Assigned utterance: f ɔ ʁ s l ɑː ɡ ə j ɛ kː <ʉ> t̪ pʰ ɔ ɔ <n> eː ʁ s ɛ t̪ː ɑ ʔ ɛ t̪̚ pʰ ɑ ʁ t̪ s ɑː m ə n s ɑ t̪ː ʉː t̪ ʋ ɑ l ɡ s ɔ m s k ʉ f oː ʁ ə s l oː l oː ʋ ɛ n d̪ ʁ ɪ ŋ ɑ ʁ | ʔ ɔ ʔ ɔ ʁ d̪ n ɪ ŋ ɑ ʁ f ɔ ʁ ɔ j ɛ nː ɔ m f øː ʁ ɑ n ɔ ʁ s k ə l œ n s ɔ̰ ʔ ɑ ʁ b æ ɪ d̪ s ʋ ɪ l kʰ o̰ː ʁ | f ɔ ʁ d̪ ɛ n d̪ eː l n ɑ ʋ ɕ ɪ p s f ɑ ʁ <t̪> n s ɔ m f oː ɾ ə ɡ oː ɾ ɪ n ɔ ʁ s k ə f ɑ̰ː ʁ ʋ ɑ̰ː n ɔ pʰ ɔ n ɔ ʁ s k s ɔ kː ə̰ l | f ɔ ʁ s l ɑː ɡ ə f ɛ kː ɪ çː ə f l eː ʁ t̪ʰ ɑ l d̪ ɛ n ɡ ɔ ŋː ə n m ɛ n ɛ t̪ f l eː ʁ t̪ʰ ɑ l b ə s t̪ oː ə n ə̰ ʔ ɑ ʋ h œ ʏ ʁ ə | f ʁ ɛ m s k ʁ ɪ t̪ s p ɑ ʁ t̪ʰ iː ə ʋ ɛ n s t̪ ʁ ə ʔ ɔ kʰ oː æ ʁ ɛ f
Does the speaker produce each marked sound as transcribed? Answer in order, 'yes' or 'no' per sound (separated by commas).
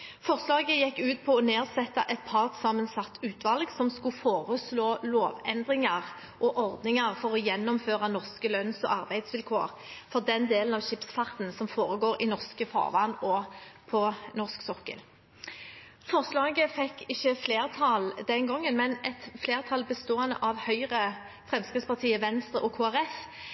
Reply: no, yes, yes